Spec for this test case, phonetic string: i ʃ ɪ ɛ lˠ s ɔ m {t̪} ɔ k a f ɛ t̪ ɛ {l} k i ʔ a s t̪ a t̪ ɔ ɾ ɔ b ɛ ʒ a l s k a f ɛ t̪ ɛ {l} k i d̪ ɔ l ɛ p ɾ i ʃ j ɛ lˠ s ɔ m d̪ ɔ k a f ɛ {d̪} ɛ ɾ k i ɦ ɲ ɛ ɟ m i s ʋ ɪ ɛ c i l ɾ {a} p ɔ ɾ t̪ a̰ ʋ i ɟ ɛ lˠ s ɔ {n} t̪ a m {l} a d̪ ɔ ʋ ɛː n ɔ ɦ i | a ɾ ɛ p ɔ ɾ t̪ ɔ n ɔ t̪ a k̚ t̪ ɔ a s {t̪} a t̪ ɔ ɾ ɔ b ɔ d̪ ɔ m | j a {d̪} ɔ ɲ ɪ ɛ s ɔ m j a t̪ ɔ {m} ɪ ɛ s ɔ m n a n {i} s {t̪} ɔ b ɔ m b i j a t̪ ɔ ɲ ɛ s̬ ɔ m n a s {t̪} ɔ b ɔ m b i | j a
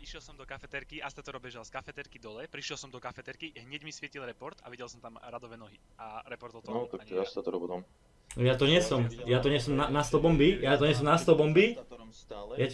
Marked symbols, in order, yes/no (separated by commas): no, no, no, no, no, no, no, yes, no, no, no, yes, yes